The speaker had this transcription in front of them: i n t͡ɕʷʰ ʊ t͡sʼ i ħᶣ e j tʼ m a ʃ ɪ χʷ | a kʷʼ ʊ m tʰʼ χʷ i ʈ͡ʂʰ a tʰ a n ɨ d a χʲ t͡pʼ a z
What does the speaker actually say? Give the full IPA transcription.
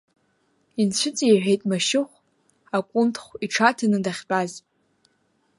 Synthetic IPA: i n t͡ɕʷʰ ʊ t͡sʼ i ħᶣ e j tʼ m a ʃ ɪ χʷ | a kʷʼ ʊ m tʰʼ χʷ i ʈ͡ʂʰ a tʰ a n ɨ d a χʲ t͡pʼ a z